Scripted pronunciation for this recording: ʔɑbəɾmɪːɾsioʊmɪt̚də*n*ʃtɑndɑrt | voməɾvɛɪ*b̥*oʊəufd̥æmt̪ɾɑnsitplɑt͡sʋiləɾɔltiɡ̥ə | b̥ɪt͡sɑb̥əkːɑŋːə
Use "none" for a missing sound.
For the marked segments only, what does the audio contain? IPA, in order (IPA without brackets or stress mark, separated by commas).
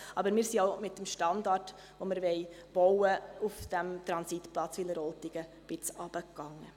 m, b̥